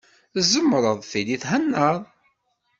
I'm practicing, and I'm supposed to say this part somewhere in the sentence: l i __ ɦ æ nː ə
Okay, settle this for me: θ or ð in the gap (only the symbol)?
θ